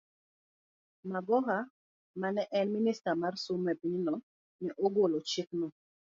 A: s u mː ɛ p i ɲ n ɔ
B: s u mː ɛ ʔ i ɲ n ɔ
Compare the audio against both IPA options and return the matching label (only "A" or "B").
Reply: A